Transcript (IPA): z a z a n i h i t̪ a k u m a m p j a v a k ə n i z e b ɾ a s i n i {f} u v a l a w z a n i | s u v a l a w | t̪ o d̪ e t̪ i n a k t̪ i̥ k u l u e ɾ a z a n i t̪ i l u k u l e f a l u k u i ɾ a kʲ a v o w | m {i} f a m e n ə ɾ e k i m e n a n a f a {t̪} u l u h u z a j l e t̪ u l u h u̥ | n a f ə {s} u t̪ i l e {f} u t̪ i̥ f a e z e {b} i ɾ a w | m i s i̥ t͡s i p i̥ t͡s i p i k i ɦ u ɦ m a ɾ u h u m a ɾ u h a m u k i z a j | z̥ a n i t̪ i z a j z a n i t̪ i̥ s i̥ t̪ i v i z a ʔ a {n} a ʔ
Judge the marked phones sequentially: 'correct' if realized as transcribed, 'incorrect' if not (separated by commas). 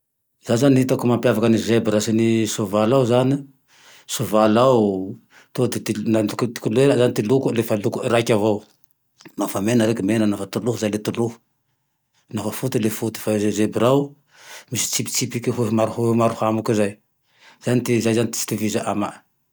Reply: incorrect, incorrect, correct, incorrect, correct, correct, incorrect